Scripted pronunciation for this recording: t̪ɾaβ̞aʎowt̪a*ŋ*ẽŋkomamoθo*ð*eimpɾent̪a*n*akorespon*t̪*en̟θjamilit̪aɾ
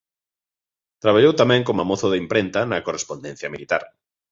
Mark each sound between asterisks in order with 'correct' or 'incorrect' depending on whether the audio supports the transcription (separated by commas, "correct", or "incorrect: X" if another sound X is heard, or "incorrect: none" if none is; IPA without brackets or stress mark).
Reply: incorrect: m, correct, correct, incorrect: d̪